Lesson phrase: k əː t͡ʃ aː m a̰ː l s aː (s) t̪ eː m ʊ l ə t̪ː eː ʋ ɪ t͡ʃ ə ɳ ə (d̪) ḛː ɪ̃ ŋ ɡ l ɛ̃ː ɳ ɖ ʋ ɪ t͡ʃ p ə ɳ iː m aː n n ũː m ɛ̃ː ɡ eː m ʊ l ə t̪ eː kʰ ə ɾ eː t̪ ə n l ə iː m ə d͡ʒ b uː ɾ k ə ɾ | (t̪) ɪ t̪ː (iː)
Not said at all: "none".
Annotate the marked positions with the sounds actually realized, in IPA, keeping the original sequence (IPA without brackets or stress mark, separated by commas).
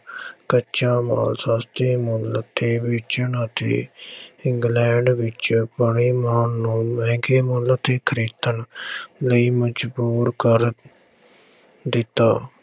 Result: s, t̪, d̪, aː